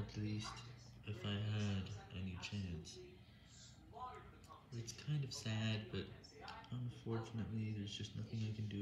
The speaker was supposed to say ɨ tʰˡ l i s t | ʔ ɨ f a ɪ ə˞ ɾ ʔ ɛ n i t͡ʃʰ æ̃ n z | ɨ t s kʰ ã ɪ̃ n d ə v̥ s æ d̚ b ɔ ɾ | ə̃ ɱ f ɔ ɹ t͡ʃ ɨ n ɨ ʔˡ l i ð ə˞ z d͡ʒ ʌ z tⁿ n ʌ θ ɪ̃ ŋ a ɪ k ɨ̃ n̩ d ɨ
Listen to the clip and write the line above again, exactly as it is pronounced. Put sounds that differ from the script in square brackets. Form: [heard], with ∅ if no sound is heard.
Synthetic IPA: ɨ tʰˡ l i s t | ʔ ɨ f a ɪ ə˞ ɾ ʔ ɛ n i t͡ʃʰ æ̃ n [s] | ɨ t s kʰ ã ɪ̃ n d [ʌ] v̥ s æ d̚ b [ʌ] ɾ | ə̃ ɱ f ɔ ɹ t͡ʃ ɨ n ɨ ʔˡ l i ð ə˞ z d͡ʒ ʌ [s] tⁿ n ʌ θ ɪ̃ ŋ a ɪ k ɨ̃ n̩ d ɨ